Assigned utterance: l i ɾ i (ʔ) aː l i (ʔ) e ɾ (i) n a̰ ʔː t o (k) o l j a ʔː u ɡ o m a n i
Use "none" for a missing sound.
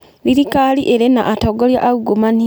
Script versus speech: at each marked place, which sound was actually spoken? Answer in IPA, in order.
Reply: k, ʔ, e, ɡ

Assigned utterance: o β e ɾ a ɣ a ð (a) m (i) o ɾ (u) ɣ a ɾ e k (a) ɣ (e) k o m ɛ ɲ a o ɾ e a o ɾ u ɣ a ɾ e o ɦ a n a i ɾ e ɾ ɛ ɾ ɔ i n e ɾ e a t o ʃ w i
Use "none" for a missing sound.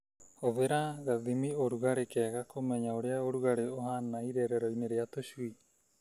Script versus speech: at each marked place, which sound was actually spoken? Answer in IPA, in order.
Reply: i, i, u, ɛ, a

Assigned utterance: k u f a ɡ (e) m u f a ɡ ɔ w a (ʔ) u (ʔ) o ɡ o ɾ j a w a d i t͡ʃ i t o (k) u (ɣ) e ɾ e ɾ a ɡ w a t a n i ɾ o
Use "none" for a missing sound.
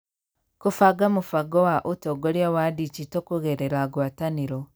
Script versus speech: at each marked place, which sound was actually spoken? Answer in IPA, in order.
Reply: a, ʔ, t, k, ɣ

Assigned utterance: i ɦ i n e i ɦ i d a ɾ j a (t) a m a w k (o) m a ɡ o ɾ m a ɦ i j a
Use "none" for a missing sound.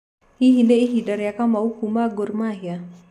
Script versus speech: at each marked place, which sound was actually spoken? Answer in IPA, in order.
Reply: k, u

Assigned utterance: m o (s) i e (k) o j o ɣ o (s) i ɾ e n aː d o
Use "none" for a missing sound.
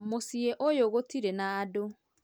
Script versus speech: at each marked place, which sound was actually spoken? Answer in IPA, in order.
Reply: s, ʔ, t

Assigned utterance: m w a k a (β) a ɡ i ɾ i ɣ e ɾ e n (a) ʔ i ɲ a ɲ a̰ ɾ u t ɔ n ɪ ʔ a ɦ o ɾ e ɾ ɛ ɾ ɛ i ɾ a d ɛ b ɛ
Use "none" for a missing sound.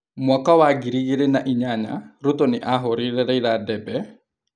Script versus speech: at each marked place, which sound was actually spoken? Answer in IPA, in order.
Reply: w, a

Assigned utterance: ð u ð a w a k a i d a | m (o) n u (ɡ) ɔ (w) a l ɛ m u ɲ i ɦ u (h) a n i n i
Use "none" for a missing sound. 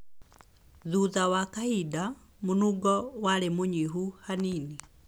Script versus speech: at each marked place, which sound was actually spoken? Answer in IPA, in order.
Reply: u, ɡ, w, h

